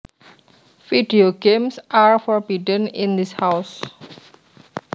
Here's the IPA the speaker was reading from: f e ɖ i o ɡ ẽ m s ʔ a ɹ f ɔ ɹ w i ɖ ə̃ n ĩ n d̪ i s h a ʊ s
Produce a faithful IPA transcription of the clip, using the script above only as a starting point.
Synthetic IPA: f i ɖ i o ɡ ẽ m s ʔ a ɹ f ɔ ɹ b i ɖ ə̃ n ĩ n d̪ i s h a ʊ s